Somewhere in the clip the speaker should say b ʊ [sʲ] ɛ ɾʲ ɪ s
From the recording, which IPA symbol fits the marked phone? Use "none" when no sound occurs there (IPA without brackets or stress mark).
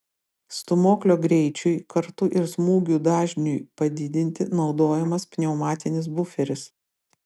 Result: fʲ